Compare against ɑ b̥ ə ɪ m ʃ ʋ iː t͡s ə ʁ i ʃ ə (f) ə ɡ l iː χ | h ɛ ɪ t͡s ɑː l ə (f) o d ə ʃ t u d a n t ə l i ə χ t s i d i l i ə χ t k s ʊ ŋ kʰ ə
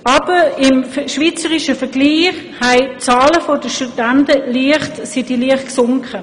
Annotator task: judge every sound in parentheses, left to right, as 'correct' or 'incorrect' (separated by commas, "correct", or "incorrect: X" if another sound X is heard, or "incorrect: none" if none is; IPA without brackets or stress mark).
correct, correct